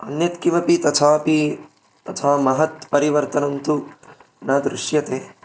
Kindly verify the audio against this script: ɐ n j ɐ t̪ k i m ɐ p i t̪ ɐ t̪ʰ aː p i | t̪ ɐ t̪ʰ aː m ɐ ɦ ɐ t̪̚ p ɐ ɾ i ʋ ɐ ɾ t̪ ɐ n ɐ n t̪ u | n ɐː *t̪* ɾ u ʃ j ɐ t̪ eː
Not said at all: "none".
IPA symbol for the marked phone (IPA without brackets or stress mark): d̪